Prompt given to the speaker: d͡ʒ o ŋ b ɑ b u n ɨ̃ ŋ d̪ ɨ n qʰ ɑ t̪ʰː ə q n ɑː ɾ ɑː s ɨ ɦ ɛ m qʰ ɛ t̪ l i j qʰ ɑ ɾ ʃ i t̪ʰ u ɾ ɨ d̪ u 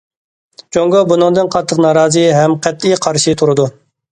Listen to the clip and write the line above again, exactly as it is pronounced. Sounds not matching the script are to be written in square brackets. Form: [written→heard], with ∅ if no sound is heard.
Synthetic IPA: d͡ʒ o ŋ [b→ɡ] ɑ b u n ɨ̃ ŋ d̪ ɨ n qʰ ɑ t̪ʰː ə q n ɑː ɾ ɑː [s→z] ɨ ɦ ɛ m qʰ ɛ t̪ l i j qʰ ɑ ɾ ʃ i t̪ʰ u ɾ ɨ d̪ u